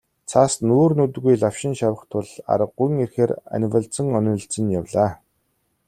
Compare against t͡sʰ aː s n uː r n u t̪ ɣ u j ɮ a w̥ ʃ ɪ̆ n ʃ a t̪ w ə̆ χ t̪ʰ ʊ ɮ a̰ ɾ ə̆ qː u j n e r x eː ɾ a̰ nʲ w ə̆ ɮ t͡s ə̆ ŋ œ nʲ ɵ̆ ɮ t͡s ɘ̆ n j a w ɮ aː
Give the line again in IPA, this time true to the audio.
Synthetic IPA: t͡sʰ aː s n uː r n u t̪ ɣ u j ɮ a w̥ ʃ ɪ̆ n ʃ a w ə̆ χ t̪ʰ ʊ ɮ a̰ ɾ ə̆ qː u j ŋ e r x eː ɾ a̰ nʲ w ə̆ ɮ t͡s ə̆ ŋ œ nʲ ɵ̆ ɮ t͡s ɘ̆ n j a w ɮ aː